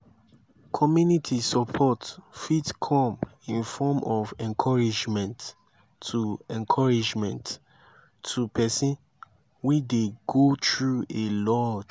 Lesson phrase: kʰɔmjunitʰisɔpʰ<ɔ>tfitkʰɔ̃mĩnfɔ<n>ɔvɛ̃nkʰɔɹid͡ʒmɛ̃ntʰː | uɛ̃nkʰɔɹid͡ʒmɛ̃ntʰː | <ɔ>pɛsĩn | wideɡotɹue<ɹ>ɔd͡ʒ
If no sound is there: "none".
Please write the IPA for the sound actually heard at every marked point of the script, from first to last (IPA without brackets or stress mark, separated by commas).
ɔ, m, u, l